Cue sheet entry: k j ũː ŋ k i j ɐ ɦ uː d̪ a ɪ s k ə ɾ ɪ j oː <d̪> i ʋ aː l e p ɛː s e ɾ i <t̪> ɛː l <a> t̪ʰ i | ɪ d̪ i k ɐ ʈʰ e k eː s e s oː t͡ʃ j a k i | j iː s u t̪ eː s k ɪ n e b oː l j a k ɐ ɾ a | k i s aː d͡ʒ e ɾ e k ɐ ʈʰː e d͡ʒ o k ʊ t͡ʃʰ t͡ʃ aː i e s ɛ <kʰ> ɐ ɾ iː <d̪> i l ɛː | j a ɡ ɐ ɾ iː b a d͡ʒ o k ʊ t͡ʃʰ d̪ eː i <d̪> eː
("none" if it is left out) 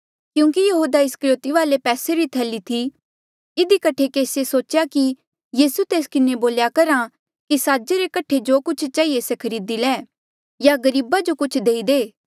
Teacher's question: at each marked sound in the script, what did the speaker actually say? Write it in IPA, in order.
t̪, t̪ʰ, i, kʰ, d̪, d̪

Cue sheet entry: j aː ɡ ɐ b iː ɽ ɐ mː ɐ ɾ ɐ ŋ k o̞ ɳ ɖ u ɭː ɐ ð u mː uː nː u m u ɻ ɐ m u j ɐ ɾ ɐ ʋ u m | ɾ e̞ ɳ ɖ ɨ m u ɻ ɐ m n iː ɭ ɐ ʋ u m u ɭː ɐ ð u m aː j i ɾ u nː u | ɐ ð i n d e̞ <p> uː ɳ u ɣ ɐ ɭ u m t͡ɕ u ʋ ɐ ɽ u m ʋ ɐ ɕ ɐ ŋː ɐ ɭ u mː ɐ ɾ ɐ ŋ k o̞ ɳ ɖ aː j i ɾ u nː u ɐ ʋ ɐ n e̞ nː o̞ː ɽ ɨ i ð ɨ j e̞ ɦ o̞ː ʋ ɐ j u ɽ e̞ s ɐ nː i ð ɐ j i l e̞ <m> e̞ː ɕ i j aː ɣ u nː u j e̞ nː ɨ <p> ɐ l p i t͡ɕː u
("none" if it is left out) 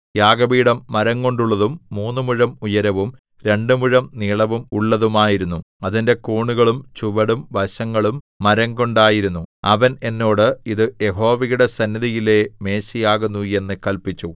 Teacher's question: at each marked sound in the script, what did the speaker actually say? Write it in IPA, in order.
k, m, k

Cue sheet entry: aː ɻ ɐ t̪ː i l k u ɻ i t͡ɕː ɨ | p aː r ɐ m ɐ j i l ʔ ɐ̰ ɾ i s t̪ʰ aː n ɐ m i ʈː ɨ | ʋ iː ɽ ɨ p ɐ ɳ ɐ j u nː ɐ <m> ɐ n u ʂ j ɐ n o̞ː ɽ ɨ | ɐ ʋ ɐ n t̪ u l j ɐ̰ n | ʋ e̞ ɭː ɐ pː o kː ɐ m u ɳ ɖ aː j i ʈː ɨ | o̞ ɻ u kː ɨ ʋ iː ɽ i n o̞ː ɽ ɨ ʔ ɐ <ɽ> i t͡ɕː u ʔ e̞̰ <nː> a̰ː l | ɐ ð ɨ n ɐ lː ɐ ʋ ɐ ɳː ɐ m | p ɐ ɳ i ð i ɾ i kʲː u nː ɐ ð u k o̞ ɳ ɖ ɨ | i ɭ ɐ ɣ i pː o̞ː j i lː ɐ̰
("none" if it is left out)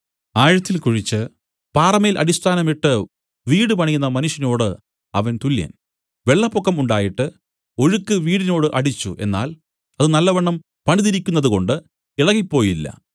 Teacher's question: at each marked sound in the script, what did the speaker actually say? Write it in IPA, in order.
m, ɽ, nː

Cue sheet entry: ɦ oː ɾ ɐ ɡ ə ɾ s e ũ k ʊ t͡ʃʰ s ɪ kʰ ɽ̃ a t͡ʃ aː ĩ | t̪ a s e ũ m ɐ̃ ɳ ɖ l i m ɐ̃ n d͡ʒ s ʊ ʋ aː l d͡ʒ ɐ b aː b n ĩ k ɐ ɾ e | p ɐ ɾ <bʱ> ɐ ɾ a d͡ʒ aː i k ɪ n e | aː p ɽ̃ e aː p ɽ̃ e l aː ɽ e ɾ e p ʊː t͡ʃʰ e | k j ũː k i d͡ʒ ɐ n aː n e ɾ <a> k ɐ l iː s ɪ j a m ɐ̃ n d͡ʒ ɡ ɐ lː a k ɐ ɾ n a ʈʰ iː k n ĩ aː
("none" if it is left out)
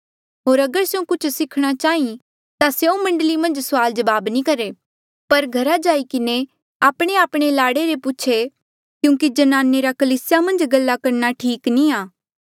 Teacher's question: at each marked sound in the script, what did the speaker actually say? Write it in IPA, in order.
ɡʱ, a

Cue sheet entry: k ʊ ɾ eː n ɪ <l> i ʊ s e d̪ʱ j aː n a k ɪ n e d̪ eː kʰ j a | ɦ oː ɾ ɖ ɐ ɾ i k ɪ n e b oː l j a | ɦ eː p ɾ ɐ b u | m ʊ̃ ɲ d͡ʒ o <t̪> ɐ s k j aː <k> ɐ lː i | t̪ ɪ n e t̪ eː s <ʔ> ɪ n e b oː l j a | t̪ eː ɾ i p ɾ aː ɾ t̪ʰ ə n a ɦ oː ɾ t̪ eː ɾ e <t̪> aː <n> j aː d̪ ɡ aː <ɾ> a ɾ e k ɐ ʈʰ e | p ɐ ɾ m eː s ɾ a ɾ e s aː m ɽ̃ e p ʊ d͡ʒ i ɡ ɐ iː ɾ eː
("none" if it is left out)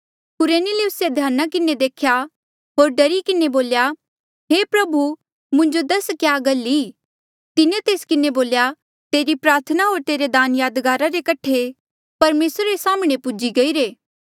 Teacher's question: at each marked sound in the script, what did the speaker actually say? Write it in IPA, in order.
l, d̪, ɡ, k, d̪, n, ɾ

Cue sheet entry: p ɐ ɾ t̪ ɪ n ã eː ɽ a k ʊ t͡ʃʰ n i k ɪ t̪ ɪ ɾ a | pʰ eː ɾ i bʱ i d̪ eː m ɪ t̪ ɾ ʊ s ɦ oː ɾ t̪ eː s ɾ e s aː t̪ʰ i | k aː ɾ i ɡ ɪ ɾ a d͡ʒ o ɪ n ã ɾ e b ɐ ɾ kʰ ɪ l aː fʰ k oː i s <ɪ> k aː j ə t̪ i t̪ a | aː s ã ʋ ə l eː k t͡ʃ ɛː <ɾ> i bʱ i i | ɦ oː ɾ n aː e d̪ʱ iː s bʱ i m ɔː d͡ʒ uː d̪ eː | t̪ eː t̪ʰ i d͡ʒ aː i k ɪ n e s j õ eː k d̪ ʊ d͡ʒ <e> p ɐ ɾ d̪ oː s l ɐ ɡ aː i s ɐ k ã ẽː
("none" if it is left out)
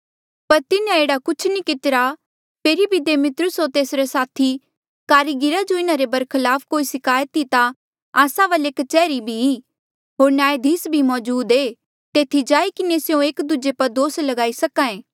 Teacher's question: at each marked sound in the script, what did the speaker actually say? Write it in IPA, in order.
ɪ, ɾ, e

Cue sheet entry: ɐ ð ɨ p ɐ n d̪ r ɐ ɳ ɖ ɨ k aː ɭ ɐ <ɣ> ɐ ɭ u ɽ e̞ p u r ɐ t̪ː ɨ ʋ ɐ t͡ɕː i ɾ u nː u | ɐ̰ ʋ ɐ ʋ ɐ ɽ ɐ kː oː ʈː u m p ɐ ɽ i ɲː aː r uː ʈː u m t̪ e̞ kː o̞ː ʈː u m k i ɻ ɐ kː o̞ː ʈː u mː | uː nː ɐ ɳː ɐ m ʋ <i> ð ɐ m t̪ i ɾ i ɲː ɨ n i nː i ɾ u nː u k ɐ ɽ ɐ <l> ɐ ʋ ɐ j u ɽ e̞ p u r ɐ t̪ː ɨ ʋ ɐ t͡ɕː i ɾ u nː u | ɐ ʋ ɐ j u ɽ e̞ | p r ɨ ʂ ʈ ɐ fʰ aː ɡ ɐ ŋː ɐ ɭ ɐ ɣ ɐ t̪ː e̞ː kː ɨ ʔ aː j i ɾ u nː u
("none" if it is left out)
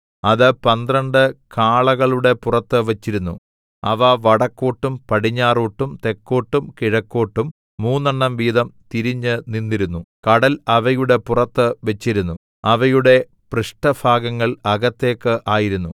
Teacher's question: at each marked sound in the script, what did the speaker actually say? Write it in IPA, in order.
ɣ, iː, l

